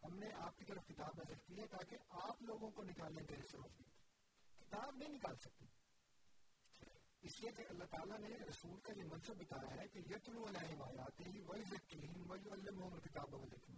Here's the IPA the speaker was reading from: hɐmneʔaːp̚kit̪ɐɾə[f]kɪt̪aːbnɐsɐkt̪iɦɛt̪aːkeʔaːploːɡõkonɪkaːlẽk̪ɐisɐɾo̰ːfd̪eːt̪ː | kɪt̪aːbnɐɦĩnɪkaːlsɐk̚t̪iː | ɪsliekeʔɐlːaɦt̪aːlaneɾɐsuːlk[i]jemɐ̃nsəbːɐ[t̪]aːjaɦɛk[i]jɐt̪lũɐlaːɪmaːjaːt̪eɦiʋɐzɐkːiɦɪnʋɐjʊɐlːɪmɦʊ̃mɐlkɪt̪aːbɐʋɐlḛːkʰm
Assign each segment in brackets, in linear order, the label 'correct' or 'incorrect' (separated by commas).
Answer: correct, incorrect, correct, incorrect